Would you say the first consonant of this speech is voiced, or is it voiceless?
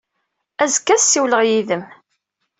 voiced